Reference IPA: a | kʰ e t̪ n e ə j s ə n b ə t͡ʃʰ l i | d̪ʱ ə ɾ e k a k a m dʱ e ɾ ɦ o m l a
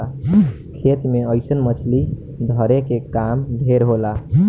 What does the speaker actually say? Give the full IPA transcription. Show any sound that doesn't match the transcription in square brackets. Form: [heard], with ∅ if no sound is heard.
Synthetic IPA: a | kʰ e t̪ [m] e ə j s ə n [m] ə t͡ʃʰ l i | d̪ʱ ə ɾ e k [e] k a m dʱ e ɾ ɦ o [∅] l a